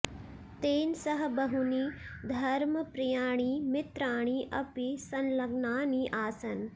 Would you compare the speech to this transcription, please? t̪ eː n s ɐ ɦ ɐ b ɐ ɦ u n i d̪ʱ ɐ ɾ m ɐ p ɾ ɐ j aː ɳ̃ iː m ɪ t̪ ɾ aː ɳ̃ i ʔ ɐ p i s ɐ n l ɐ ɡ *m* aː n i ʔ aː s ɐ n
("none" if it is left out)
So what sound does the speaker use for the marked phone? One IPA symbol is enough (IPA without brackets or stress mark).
n